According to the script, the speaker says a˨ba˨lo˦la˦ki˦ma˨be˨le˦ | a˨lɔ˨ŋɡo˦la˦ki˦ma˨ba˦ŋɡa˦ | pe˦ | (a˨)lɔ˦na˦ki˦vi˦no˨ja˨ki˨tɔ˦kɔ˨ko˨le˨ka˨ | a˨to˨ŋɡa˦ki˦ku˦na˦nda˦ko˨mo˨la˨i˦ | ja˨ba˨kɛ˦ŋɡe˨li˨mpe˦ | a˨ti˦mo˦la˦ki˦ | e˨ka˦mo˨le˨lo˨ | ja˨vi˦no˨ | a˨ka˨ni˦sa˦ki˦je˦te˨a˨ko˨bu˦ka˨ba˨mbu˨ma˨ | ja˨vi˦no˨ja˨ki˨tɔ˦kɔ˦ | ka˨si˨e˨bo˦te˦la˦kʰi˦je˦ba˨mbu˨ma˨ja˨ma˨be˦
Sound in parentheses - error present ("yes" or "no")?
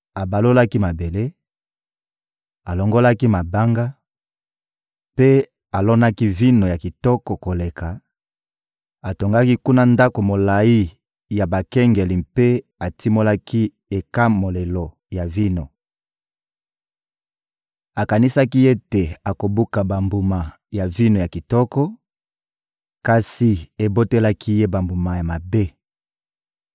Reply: no